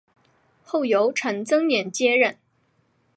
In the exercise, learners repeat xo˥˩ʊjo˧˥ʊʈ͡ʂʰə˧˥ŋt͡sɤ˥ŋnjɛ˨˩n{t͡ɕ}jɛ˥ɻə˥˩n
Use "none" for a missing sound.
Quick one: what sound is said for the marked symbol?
t͡ɕ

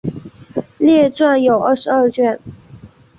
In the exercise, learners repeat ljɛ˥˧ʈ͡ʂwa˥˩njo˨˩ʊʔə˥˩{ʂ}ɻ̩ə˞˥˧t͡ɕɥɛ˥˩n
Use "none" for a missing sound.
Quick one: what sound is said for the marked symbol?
ʂ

